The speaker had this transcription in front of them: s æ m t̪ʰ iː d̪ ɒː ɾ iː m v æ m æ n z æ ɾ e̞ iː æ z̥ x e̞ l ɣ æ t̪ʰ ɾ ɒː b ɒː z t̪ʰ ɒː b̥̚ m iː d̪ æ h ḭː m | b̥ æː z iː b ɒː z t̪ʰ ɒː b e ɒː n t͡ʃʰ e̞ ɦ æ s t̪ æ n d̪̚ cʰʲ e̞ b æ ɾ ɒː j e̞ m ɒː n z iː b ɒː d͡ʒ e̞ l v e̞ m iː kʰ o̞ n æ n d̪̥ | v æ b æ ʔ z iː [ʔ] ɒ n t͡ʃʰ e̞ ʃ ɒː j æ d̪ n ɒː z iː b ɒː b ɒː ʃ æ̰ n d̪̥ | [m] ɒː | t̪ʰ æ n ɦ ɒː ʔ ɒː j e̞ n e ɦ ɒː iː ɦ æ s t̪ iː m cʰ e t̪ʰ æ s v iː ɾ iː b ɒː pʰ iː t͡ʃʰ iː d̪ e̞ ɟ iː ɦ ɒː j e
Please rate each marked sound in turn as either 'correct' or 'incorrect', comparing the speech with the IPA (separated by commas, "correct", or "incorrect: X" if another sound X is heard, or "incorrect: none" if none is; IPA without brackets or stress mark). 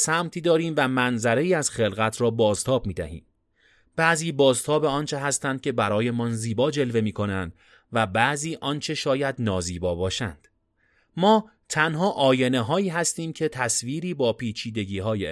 correct, correct